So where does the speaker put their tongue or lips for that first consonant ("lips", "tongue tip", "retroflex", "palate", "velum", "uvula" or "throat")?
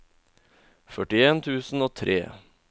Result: lips